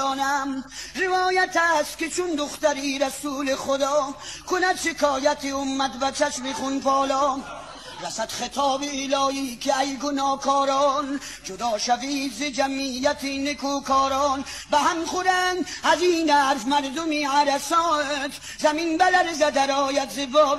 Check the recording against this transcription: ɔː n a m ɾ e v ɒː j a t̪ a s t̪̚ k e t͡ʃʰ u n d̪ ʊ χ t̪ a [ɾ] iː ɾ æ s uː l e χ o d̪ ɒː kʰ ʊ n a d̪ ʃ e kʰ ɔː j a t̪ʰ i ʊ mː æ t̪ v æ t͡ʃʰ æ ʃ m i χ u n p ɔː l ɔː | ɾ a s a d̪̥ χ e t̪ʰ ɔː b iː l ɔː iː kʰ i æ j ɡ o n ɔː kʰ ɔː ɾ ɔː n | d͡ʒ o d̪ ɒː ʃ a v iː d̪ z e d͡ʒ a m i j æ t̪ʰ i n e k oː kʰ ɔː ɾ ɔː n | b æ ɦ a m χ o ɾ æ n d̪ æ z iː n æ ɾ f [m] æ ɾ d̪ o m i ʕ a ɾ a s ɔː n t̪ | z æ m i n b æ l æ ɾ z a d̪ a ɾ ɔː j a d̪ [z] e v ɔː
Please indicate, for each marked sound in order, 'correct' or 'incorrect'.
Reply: correct, correct, correct

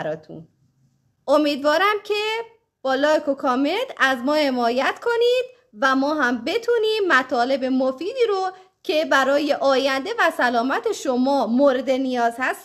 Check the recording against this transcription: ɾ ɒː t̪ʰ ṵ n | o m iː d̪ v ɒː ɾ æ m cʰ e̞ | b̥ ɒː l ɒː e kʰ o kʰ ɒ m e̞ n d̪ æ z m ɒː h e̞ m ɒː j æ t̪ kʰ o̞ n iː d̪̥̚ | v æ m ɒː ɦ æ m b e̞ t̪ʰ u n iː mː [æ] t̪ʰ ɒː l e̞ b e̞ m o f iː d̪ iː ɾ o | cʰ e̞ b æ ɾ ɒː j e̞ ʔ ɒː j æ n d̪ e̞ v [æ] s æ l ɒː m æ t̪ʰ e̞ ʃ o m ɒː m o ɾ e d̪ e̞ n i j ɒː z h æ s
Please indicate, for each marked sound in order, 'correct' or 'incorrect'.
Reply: correct, correct

